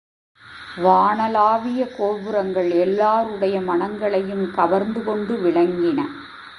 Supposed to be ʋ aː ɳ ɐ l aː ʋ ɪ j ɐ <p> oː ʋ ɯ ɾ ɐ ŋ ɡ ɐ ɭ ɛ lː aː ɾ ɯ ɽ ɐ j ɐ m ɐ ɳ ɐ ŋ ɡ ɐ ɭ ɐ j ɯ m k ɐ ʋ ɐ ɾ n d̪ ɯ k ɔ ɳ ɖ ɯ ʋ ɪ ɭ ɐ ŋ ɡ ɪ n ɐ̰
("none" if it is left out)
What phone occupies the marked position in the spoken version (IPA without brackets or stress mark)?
k